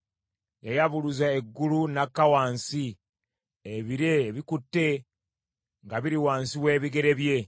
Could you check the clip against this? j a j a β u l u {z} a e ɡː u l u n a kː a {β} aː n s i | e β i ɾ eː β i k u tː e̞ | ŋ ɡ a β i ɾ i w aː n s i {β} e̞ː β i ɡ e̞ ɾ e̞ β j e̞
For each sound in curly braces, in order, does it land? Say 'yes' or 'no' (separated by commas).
yes, no, no